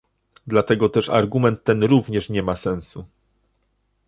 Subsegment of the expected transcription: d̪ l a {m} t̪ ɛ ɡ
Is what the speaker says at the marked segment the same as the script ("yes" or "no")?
no